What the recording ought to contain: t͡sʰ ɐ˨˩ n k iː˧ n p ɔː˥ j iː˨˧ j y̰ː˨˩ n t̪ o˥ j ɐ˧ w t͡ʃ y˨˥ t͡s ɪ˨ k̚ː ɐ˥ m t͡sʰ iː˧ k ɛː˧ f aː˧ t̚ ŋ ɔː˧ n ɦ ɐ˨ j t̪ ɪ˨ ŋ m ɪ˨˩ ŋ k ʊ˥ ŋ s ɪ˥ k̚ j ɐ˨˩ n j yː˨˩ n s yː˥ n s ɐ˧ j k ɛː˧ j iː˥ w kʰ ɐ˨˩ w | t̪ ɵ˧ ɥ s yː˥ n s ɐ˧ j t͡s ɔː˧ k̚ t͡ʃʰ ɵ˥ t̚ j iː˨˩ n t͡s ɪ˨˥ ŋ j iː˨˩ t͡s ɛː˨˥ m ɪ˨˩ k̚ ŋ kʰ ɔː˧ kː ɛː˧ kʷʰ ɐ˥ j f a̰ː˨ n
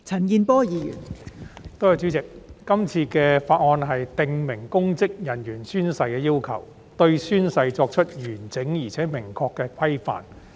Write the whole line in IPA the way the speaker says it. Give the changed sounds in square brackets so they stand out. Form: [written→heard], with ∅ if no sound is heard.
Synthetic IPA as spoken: t͡sʰ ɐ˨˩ n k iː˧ n p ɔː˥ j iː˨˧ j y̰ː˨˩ n t̪ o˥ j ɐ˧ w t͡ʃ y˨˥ t͡s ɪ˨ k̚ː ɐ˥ m t͡sʰ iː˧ k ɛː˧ f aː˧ t̚ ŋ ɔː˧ n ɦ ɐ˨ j t̪ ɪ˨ ŋ m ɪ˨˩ ŋ k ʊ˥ ŋ [s→t͡s] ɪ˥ k̚ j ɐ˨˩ n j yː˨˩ n s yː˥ n s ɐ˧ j k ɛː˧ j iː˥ w kʰ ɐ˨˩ w | t̪ ɵ˧ ɥ s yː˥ n s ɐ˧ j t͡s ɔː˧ k̚ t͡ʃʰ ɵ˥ t̚ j [iː˨˩→yː˨˩] n t͡s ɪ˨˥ ŋ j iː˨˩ [t͡s→t͡sʰ] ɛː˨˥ m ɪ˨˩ [k̚→∅] ŋ kʰ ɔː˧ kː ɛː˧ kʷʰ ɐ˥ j f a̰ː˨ n